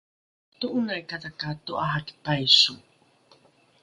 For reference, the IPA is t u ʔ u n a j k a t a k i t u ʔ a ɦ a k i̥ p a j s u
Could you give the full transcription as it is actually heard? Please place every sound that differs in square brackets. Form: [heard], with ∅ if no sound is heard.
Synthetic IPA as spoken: t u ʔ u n a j k a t a k [a] t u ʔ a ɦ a k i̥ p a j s u